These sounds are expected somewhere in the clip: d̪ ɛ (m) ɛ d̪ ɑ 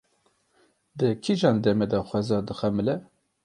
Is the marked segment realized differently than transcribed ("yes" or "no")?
no